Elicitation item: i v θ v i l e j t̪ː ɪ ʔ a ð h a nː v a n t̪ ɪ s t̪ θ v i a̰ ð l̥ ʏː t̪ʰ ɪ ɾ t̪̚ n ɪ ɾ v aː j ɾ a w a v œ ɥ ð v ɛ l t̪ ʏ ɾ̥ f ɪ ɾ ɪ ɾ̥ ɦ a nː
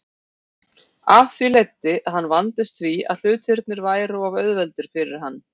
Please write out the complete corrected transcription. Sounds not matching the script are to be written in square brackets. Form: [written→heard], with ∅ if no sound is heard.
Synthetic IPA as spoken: [i→a] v θ v i l e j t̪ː ɪ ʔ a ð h a nː v a n t̪ ɪ s t̪ θ v i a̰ ð l̥ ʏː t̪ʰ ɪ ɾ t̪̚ n ɪ ɾ v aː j ɾ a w a v œ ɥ ð v ɛ l t̪ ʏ ɾ̥ f ɪ ɾ ɪ ɾ̥ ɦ a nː